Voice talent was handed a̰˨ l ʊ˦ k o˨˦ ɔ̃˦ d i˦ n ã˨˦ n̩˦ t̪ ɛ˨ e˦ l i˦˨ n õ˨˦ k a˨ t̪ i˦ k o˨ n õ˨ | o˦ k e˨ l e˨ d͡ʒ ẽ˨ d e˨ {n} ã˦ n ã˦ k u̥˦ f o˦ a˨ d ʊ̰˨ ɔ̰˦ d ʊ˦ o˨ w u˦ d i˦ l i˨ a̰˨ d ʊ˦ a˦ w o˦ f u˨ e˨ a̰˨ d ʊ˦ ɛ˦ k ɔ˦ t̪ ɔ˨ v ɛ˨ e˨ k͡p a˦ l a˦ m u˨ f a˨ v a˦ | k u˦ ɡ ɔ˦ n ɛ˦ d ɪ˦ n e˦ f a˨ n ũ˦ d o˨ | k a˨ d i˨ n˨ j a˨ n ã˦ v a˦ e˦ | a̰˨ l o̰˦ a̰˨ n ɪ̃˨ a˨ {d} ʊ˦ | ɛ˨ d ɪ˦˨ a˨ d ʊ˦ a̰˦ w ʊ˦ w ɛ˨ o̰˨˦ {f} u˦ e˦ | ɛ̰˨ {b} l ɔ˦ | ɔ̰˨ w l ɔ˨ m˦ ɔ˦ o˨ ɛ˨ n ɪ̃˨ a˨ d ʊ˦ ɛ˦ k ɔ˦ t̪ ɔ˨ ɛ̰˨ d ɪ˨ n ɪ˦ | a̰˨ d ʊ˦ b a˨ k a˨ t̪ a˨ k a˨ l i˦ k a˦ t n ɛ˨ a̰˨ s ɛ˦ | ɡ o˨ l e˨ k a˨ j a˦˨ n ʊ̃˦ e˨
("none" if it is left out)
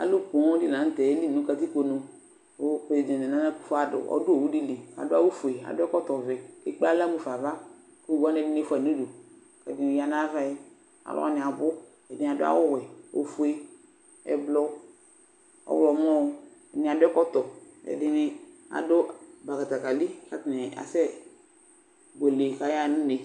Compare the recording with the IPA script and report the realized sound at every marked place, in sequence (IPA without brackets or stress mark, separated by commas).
n, b, f, b